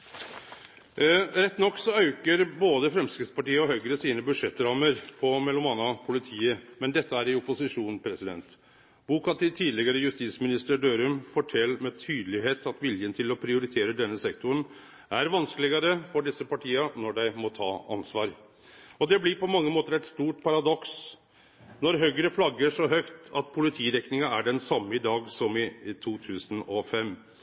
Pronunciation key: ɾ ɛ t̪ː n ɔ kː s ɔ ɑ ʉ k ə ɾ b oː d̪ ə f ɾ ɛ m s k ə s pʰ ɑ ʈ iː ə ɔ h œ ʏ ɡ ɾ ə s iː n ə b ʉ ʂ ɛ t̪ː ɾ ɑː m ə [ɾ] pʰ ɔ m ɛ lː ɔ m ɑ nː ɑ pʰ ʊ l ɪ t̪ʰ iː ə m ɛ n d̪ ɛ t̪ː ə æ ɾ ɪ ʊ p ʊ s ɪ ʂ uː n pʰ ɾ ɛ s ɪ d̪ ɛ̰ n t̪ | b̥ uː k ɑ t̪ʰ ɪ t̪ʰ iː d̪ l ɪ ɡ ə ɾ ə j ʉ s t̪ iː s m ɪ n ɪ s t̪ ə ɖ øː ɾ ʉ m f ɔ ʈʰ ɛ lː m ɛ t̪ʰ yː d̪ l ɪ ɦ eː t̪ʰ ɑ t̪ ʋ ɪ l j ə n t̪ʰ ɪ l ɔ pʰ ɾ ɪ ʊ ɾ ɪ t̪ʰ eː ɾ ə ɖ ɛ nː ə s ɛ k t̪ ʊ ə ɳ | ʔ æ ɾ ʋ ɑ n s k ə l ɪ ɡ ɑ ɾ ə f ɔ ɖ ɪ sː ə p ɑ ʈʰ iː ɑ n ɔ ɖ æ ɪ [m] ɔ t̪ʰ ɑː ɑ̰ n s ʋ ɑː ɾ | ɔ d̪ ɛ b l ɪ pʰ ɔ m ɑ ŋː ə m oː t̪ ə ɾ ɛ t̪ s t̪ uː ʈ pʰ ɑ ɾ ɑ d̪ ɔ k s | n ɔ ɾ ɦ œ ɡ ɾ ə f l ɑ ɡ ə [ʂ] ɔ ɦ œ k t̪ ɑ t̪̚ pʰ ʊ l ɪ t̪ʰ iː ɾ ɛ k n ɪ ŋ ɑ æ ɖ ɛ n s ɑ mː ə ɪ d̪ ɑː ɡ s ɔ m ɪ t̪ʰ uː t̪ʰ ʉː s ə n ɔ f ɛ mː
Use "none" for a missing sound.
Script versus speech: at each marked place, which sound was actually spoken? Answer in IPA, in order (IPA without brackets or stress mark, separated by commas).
ɾ, m, ʂ